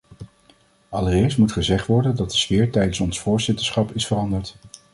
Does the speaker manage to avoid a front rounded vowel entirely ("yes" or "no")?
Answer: yes